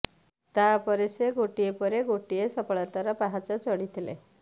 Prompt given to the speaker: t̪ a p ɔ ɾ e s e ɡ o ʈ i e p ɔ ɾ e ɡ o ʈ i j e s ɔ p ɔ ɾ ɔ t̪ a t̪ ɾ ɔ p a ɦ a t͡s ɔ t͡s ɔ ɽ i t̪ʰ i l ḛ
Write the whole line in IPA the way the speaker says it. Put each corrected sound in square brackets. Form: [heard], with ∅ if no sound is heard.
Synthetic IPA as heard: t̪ a p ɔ ɾ e s e ɡ o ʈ i e p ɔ ɾ e ɡ o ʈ i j e s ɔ p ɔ [ɭ] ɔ t̪ a [∅] ɾ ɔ p a ɦ a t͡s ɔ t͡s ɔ ɽ i t̪ʰ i l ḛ

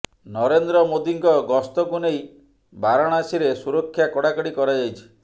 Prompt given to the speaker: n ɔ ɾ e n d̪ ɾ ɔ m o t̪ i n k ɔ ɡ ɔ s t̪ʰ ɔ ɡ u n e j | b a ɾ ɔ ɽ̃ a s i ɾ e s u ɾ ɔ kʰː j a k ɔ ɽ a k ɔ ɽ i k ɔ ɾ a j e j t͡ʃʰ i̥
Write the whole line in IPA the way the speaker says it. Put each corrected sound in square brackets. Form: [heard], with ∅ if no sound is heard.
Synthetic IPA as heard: n ɔ ɾ e n d̪ ɾ ɔ m o [d̪] i [ŋ] k ɔ ɡ ɔ s [t̪] ɔ ɡ u n e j | b a ɾ ɔ ɽ̃ a s i ɾ e s u ɾ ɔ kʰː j a k ɔ ɽ a k ɔ ɽ i k ɔ ɾ a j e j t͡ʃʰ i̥

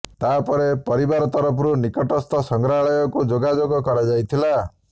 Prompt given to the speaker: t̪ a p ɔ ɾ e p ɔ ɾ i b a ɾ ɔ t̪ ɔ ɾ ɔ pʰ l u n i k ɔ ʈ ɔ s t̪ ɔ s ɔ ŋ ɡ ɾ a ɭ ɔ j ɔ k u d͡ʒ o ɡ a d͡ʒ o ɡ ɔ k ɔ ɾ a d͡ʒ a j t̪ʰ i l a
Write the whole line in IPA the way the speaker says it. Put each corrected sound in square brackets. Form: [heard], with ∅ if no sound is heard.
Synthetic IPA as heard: t̪ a p ɔ ɾ e p ɔ ɾ i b a ɾ ɔ t̪ ɔ ɾ ɔ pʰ [ɾ] u n i k ɔ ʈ ɔ s t̪ ɔ s ɔ ŋ ɡ ɾ a ɭ ɔ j ɔ k u d͡ʒ o ɡ a d͡ʒ o ɡ ɔ k ɔ ɾ a d͡ʒ a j t̪ʰ i l a

